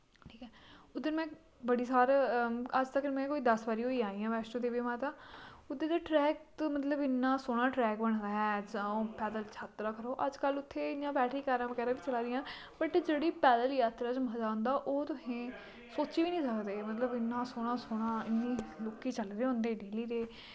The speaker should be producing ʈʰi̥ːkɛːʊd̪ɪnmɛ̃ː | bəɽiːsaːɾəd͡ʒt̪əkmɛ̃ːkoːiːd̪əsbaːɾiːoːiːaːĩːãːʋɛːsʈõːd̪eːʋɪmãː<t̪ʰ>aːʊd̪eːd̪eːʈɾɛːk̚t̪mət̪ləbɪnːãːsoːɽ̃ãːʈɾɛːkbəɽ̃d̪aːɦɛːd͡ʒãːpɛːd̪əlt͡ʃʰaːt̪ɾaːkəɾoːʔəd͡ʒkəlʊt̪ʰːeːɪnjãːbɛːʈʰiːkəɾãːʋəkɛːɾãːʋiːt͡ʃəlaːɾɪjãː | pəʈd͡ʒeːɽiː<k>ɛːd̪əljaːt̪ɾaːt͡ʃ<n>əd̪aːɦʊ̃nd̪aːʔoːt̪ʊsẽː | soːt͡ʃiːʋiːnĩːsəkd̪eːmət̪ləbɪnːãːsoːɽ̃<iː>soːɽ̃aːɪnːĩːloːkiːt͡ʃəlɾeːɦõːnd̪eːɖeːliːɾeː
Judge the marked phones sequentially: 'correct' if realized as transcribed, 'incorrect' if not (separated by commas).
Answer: incorrect, incorrect, incorrect, incorrect